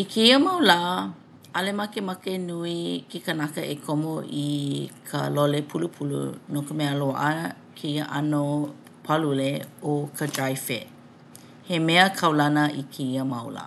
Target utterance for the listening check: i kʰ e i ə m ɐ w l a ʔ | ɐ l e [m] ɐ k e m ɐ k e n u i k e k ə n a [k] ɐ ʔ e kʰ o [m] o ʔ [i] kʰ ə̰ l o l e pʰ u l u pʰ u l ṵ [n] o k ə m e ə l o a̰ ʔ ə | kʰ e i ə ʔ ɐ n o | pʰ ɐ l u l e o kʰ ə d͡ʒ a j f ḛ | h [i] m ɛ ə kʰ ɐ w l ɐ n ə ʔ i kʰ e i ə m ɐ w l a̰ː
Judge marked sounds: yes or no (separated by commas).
yes, yes, yes, yes, yes, no